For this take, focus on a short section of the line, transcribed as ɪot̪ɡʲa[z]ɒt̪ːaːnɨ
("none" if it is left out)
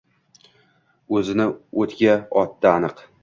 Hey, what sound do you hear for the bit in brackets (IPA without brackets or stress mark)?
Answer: none